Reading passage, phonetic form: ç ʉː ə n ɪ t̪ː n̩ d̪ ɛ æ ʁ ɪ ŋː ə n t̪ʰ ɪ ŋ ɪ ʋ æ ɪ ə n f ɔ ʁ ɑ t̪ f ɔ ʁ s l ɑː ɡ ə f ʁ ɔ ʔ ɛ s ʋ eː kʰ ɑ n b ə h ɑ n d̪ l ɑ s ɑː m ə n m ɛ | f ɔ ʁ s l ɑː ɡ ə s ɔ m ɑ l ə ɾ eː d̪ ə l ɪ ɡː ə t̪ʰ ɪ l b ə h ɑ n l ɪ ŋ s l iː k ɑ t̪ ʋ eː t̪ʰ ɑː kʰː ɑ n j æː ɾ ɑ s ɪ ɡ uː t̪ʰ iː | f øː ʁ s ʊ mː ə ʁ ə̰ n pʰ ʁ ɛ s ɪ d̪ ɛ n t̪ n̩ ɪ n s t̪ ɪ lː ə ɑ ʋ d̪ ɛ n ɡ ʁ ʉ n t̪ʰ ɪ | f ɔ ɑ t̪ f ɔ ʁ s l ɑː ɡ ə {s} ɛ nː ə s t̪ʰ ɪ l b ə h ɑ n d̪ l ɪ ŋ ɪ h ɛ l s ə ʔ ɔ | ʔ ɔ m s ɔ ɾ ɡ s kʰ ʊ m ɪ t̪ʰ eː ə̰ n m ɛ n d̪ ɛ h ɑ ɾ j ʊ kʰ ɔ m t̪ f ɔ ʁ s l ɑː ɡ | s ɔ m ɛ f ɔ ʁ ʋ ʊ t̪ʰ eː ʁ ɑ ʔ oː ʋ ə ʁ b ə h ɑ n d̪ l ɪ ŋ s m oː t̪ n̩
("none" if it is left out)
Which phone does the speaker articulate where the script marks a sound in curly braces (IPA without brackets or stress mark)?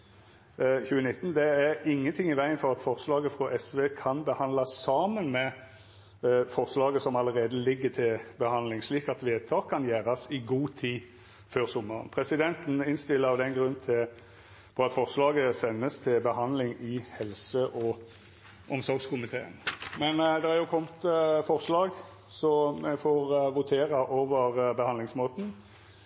s